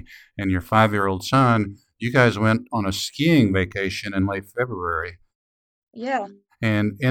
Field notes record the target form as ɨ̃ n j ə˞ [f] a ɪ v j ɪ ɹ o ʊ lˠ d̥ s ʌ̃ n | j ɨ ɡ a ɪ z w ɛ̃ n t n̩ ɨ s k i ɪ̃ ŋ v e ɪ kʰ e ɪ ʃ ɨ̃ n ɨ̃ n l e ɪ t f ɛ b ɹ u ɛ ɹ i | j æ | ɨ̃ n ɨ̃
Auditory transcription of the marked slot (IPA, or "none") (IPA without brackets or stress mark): f